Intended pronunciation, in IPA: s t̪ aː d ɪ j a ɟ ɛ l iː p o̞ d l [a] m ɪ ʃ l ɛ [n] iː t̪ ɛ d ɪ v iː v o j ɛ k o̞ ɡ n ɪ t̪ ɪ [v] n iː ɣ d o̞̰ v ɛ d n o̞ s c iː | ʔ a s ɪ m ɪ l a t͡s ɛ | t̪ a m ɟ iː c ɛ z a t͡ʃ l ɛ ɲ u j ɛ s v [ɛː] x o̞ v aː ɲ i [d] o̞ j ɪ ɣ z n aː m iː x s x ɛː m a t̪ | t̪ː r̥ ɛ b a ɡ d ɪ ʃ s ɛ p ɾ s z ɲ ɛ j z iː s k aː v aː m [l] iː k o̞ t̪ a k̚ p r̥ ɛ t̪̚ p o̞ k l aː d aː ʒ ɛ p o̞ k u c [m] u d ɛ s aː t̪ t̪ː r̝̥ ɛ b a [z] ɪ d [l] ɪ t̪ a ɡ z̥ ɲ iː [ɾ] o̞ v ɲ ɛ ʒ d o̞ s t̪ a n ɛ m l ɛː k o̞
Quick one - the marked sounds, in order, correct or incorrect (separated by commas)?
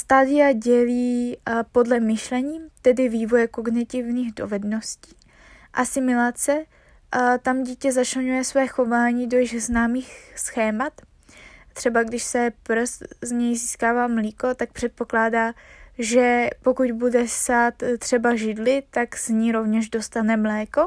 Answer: incorrect, incorrect, correct, correct, correct, correct, incorrect, incorrect, correct, correct